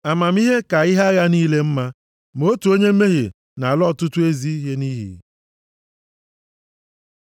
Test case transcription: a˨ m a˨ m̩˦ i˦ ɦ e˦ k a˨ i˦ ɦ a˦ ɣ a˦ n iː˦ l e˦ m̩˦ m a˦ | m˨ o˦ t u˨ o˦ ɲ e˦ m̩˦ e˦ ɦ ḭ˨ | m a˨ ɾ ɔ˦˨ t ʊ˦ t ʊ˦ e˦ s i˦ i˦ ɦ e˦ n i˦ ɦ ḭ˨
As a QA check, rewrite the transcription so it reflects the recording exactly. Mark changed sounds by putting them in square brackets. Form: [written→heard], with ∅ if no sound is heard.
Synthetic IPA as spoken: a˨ m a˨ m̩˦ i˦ ɦ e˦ k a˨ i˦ ɦ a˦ ɣ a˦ n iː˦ l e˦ m̩˦ m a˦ | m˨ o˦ t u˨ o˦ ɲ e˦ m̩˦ e˦ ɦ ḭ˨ | [m→n] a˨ [ɾ→l] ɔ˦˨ t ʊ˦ t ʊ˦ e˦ [s→z] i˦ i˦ ɦ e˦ n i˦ ɦ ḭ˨